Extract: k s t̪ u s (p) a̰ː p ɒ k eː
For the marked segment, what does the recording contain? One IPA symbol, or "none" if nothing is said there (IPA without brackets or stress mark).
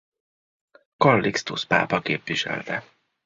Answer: p